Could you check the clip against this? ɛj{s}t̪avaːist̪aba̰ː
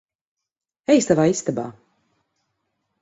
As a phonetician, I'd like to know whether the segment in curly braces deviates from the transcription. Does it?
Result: no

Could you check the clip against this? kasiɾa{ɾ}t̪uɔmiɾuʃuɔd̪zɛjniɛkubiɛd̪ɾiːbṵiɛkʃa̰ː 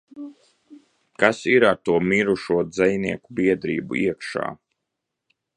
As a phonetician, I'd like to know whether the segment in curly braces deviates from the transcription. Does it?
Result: no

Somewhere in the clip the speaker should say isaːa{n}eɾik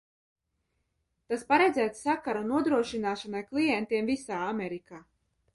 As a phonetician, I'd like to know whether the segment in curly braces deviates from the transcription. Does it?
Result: yes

